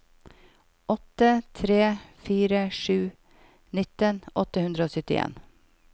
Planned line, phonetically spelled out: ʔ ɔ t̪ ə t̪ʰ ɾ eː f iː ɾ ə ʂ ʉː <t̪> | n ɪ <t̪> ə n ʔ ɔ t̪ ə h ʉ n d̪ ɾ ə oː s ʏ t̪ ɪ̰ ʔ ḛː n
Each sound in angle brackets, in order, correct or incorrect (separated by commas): incorrect, correct